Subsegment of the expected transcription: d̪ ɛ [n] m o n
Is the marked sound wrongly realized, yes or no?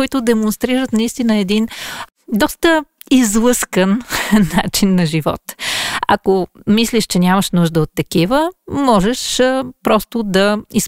yes